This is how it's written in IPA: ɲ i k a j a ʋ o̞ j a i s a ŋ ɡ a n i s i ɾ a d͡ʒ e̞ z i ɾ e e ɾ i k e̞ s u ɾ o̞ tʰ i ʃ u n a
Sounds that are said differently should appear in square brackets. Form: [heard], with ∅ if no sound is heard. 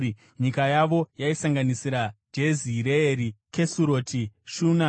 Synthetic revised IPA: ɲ i k a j a ʋ o̞ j a i s a ŋ ɡ a n i s i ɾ a d͡ʒ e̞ z i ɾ e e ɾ i k e̞ s u ɾ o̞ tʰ i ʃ u n a